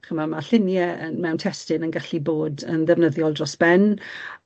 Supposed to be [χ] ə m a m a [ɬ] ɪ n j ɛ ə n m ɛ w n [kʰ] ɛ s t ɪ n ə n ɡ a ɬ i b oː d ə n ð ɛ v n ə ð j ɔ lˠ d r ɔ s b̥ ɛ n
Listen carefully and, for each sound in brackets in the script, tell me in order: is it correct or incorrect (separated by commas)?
correct, correct, incorrect